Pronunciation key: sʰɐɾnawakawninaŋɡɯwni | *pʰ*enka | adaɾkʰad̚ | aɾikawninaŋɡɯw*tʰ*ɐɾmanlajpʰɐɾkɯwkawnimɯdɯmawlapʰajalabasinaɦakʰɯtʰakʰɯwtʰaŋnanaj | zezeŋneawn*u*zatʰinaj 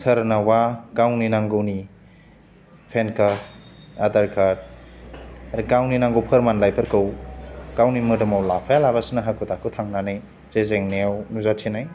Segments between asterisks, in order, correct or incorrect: correct, incorrect, correct

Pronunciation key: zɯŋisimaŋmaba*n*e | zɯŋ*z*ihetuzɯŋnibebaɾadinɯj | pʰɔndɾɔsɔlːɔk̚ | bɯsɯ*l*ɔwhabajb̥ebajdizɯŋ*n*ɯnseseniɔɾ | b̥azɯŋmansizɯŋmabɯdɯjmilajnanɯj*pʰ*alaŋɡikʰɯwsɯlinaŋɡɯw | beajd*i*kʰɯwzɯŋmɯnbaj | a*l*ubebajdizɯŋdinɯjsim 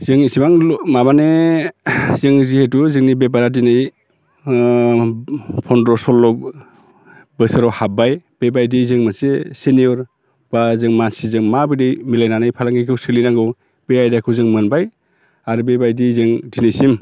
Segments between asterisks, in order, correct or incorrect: correct, correct, incorrect, incorrect, correct, incorrect, incorrect

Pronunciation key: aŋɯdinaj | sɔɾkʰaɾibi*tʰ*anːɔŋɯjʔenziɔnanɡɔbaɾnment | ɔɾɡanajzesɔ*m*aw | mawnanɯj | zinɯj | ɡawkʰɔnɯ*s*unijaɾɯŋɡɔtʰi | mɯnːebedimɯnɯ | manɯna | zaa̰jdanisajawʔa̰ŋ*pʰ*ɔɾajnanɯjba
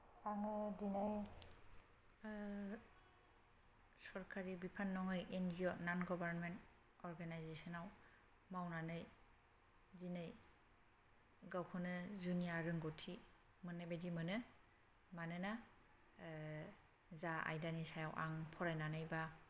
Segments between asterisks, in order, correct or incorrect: incorrect, incorrect, incorrect, correct

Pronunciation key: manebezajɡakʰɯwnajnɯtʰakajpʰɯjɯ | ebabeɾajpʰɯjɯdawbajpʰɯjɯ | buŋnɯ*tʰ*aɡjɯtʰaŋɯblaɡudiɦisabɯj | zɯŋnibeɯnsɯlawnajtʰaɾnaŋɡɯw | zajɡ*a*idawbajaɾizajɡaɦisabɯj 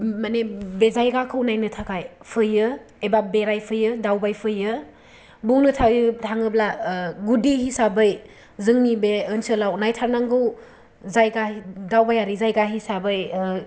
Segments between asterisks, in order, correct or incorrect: correct, correct

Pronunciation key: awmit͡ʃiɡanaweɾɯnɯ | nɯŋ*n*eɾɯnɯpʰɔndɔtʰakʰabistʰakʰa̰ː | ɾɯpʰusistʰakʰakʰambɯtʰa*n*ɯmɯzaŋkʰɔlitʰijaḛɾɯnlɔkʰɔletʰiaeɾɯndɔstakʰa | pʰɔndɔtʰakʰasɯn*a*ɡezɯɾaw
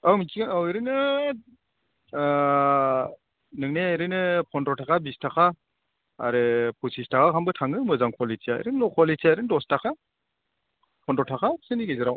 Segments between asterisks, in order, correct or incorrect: correct, incorrect, incorrect

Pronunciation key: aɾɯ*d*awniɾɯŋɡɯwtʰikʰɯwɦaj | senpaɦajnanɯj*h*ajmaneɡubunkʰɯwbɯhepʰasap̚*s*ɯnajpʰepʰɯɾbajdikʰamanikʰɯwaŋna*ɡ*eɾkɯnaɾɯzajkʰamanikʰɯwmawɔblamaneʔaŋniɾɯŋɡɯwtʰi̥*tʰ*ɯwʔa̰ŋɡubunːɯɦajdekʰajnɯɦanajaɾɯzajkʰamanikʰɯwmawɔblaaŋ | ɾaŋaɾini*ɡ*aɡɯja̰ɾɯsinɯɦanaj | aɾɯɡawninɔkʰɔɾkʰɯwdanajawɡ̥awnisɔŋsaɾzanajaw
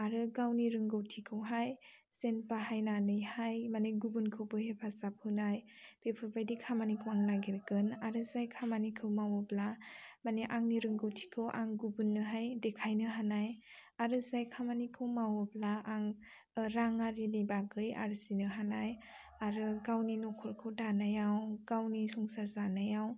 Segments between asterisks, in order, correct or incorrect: incorrect, correct, incorrect, correct, incorrect, incorrect

